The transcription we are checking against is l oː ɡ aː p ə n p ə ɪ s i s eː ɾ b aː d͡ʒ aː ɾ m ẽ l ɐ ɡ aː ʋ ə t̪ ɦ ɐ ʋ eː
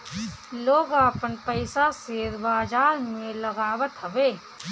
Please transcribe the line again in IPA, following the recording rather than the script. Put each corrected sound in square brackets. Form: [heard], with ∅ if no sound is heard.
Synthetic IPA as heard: l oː ɡ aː p ə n p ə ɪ s [a] s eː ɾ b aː d͡ʒ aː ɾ m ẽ l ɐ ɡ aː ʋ ə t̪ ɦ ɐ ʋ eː